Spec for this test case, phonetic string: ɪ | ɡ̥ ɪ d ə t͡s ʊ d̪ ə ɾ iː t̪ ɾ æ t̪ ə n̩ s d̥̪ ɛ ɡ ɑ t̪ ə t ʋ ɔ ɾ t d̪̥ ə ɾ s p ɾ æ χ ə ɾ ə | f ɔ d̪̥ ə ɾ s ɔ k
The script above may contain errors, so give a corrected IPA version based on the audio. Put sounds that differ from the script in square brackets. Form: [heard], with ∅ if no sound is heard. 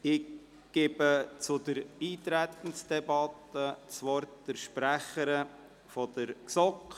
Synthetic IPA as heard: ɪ | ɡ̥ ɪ [b] ə t͡s ʊ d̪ ə ɾ iː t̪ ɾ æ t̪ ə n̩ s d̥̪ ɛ [b] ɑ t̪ ə [t͡s] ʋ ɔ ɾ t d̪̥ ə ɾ [ʃ] p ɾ æ χ ə ɾ ə | f ɔ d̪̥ ə ɾ s ɔ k